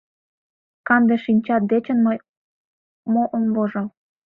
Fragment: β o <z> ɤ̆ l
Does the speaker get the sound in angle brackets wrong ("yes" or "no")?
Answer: yes